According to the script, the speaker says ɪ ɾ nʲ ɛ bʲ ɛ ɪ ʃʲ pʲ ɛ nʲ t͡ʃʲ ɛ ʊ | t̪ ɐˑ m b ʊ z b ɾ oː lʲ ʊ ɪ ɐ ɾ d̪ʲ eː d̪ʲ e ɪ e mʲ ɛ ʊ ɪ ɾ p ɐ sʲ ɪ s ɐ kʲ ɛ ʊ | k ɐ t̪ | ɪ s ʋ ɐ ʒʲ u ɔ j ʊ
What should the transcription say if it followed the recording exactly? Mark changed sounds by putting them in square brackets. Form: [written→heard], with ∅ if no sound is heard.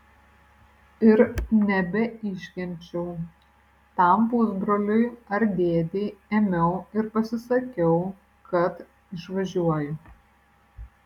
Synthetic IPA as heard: ɪ ɾ nʲ ɛ bʲ ɛ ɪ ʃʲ [pʲ→kʲ] ɛ nʲ t͡ʃʲ ɛ ʊ | t̪ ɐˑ m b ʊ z b ɾ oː lʲ ʊ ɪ ɐ ɾ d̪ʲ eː d̪ʲ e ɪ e mʲ ɛ ʊ ɪ ɾ p ɐ sʲ ɪ s ɐ kʲ ɛ ʊ | k ɐ t̪ | ɪ [s→ʃ] ʋ ɐ ʒʲ u ɔ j ʊ